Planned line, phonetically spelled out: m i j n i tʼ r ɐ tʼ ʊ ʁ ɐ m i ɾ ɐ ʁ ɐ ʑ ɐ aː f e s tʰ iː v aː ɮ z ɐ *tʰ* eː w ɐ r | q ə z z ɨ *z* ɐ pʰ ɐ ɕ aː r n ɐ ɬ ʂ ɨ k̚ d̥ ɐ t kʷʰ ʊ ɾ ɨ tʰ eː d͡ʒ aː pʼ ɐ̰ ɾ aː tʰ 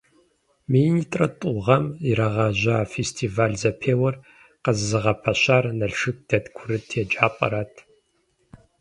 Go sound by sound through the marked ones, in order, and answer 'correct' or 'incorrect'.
incorrect, incorrect

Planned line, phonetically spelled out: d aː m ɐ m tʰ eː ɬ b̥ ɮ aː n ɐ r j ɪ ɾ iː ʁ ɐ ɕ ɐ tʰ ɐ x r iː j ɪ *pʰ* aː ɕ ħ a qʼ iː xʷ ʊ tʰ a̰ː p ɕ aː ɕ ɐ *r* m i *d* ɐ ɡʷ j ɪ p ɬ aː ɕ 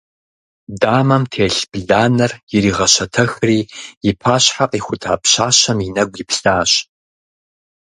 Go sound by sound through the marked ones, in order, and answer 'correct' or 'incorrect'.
correct, incorrect, incorrect

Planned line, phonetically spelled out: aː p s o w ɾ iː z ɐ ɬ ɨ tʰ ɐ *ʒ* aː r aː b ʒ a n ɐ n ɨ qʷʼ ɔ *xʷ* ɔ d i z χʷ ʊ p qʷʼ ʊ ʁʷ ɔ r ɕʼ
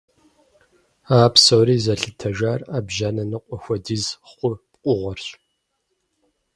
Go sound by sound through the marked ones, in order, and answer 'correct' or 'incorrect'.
correct, correct

